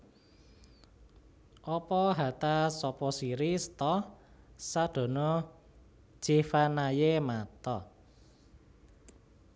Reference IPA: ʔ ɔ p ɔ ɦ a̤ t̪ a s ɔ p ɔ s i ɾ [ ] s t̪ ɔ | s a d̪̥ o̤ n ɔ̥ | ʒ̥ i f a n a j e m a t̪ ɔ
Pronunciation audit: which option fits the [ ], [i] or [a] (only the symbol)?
i